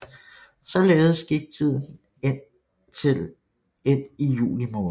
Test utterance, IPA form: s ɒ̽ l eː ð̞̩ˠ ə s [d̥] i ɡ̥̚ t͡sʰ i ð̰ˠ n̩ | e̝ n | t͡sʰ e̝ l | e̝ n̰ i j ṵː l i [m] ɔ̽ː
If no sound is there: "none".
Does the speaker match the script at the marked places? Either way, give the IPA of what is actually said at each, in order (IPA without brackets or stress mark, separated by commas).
ɡ̥, m